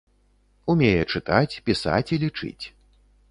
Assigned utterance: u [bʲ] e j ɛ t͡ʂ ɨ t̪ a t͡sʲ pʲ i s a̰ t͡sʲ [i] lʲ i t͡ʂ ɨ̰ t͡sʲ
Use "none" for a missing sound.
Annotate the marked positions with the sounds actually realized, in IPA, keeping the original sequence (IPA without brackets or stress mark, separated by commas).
mʲ, i